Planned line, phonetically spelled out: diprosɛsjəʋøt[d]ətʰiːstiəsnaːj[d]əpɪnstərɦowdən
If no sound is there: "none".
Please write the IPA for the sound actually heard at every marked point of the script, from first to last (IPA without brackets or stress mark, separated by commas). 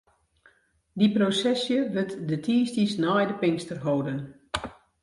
d, d